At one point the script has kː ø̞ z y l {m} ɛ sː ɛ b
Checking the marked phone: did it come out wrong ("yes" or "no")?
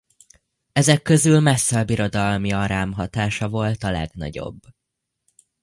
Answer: no